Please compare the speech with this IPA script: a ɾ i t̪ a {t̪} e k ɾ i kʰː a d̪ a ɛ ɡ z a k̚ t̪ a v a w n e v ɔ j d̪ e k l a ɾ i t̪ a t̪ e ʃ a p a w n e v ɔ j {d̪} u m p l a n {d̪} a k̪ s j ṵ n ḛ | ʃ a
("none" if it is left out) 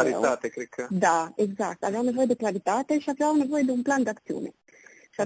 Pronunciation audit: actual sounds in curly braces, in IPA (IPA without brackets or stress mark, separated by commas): t̪, d̪, d̪